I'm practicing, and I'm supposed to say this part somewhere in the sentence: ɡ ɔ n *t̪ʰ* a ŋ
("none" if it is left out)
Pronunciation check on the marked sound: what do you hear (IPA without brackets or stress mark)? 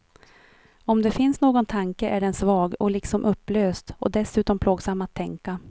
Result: t̪ʰ